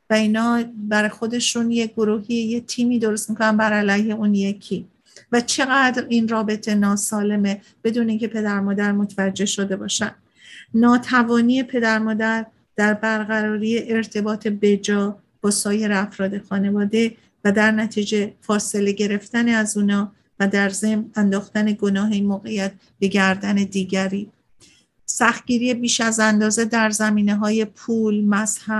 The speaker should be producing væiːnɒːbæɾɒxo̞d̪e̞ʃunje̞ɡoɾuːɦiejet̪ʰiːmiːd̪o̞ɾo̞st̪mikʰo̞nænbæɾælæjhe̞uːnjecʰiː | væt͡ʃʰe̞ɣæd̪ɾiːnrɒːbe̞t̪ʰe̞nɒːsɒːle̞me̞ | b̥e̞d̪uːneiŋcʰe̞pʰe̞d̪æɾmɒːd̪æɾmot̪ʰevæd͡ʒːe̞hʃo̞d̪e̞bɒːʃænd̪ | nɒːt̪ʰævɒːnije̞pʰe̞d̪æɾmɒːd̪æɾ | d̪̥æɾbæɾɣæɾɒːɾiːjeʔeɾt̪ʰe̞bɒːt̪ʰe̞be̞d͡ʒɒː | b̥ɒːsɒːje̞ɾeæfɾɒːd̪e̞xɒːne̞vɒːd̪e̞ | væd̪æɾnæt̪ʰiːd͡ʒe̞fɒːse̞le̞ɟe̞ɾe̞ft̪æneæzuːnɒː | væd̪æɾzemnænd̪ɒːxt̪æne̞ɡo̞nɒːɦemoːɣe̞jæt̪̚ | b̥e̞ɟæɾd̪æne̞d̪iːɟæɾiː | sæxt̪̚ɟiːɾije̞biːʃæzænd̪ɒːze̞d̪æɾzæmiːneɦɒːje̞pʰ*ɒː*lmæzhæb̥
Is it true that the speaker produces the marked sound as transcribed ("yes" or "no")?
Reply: no